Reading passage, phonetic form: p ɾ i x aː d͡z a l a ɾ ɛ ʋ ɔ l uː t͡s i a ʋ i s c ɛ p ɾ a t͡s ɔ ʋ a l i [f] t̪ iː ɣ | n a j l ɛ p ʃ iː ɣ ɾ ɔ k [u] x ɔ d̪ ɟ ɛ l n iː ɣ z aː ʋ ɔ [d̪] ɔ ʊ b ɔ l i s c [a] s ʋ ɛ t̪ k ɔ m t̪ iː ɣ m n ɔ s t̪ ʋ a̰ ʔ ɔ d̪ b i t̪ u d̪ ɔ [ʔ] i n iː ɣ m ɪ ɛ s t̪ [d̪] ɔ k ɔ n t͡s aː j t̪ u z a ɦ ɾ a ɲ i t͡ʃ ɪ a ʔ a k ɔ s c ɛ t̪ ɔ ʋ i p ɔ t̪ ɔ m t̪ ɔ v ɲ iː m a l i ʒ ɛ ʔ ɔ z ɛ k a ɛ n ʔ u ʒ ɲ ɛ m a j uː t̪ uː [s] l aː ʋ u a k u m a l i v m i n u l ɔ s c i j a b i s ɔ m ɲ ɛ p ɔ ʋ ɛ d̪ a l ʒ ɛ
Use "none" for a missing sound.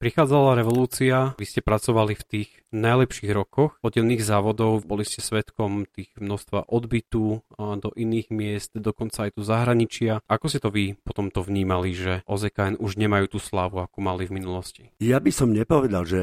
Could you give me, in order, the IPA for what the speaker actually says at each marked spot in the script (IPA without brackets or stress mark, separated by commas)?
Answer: f, ɔ, d̪, ɛ, ʔ, d̪, s